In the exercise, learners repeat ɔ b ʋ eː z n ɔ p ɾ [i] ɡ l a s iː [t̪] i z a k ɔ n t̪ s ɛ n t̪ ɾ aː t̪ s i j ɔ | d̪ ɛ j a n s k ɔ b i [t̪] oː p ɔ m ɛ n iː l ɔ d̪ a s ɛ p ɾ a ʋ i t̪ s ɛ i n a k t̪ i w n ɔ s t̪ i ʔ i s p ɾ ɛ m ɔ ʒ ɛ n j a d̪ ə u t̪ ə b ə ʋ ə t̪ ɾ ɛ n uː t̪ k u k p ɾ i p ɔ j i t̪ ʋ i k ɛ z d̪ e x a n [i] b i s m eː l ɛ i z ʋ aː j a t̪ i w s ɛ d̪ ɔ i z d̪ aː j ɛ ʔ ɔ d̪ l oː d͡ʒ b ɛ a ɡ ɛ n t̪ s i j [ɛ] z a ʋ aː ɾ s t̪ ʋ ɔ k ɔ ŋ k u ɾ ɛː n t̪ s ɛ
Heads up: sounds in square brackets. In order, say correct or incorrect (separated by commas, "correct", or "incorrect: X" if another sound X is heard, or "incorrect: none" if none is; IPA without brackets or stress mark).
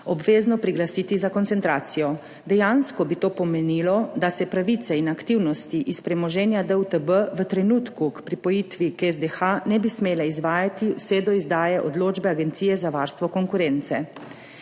correct, correct, correct, incorrect: ɛ, correct